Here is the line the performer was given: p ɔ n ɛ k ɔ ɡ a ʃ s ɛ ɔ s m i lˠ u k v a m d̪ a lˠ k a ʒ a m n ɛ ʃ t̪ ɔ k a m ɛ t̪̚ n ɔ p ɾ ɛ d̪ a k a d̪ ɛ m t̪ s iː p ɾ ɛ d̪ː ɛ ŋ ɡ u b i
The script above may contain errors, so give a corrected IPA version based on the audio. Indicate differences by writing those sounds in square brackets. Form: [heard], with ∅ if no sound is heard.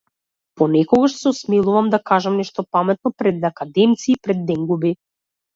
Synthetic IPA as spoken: p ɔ n ɛ k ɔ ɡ a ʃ s ɛ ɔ s m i lˠ u [∅] v a m d̪ a [∅] k a ʒ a m n ɛ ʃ t̪ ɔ [p] a m ɛ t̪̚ n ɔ p ɾ ɛ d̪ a k a d̪ ɛ m t̪ s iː p ɾ ɛ d̪ː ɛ ŋ ɡ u b i